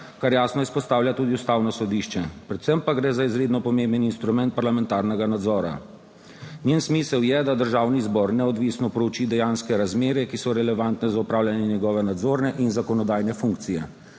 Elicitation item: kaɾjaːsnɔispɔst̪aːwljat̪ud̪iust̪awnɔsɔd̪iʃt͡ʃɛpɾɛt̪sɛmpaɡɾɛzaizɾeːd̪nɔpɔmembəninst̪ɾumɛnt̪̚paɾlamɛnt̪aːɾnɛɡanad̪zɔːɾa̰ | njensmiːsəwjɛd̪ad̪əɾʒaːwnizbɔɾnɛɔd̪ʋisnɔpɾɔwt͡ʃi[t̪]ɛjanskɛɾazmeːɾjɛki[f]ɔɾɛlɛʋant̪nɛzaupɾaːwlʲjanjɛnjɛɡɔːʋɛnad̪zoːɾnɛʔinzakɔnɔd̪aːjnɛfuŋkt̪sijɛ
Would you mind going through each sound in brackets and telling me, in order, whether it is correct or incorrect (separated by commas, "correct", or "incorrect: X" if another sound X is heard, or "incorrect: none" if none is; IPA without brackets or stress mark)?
incorrect: d̪, incorrect: s